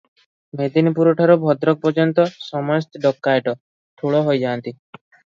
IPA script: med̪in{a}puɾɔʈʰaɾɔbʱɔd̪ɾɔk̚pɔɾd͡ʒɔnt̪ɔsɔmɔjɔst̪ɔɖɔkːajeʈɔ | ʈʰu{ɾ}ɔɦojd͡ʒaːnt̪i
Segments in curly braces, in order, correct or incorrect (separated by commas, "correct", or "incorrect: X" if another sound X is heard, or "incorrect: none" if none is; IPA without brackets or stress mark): incorrect: i, incorrect: ɭ